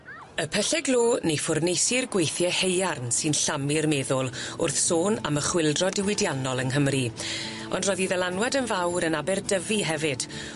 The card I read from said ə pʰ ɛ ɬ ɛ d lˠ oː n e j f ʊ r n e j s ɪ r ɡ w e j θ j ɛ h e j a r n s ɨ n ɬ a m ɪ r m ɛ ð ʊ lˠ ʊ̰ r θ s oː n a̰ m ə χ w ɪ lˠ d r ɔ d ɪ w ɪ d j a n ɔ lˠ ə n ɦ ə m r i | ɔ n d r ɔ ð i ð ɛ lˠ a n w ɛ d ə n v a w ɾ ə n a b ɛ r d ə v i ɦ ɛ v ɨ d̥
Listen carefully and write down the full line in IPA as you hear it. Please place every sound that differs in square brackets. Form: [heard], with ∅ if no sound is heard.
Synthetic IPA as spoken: ə pʰ ɛ ɬ ɛ [ɡ] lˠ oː n e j f ʊ r n e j s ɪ r ɡ w e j θ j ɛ h e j a r n s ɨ n ɬ a m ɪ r m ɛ ð ʊ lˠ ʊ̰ r θ s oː n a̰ m ə χ w ɪ lˠ d r ɔ d ɪ w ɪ d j a n ɔ lˠ ə n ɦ ə m r i | ɔ n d r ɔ ð i ð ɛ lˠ a n w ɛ d ə n v a w ɾ ə n a b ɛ r d ə v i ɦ ɛ v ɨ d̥